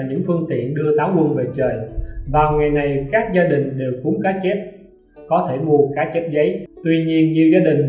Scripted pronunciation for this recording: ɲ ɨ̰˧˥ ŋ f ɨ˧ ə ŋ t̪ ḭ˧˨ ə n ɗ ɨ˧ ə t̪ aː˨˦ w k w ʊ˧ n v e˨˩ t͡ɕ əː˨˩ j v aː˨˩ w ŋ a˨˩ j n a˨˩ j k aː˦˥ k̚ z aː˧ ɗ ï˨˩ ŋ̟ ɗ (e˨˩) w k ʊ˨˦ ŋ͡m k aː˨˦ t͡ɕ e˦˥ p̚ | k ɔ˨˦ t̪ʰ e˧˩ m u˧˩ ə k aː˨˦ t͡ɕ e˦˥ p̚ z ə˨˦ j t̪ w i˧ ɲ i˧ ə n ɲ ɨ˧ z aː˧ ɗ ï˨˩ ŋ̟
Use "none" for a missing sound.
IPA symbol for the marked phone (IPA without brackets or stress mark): e˨˩